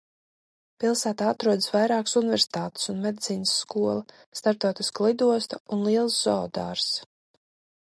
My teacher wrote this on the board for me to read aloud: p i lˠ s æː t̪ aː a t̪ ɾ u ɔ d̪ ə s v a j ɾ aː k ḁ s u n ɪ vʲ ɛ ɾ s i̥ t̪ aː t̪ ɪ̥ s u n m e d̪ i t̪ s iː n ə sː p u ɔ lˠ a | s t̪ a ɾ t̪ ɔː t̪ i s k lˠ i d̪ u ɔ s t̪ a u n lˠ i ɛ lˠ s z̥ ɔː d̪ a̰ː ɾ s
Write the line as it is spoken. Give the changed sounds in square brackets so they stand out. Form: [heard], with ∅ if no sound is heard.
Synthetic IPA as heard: p i lˠ s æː t̪ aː a t̪ ɾ u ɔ d̪ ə s v a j ɾ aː k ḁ s u n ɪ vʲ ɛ ɾ s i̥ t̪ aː t̪ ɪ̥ s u n m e d̪ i t̪ s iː n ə sː [k] u ɔ lˠ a | s t̪ a ɾ t̪ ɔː t̪ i s k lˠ i d̪ u ɔ s t̪ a u n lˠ i ɛ lˠ s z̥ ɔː d̪ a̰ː ɾ s